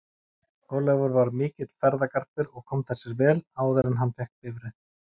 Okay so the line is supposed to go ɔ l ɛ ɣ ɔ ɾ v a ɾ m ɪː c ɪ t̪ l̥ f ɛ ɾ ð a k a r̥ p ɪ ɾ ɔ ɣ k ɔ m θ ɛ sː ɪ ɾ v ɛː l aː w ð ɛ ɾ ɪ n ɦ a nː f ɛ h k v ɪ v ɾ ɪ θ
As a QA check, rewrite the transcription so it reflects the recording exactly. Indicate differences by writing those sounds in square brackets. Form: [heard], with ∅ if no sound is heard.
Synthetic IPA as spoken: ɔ l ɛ [v] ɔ ɾ v a ɾ m ɪː c ɪ t̪ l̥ f ɛ ɾ ð a k a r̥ p ɪ ɾ ɔ ɣ [kʰ] ɔ m θ ɛ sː ɪ ɾ v ɛː l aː w ð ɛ ɾ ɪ n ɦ a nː f ɛ h k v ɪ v ɾ ɪ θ